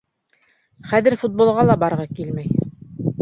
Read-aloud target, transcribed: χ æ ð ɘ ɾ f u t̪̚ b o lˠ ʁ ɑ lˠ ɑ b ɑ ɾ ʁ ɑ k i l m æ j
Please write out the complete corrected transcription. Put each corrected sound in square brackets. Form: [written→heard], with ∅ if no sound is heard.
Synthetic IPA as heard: χ æ ð ɘ ɾ f u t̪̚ b o lˠ ʁ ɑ lˠ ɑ b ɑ ɾ ʁ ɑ k i l m æ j